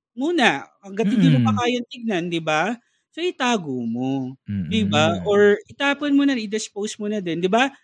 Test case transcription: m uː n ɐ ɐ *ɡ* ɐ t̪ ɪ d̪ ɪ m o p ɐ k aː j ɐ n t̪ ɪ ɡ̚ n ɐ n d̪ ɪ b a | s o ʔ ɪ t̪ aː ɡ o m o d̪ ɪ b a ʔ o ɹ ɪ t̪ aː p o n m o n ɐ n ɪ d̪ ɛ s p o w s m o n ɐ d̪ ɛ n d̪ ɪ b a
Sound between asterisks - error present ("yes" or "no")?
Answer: no